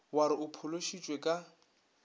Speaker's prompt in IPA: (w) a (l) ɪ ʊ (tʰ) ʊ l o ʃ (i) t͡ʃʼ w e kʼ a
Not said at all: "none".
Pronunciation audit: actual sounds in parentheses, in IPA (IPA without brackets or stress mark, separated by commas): w, ɾ, pʰ, i